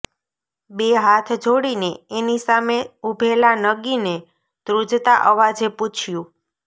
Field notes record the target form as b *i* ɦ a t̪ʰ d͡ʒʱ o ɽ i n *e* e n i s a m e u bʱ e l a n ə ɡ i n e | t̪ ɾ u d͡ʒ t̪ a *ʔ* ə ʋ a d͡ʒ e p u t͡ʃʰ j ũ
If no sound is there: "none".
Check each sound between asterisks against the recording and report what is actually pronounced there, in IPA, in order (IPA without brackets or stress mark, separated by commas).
e, e, ʔ